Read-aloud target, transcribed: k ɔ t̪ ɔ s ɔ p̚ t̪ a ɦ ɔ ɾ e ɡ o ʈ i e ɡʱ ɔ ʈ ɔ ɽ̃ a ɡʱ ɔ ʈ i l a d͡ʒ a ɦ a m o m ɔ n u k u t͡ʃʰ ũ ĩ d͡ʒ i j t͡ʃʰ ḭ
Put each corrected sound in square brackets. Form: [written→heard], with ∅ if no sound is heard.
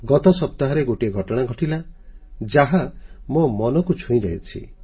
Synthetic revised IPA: [k→ɡ] ɔ t̪ ɔ s ɔ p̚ t̪ a ɦ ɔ ɾ e ɡ o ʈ i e ɡʱ ɔ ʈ ɔ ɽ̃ a ɡʱ ɔ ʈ i l a d͡ʒ a ɦ a m o m ɔ n [u→ɔ] k u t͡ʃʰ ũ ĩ d͡ʒ [i→a] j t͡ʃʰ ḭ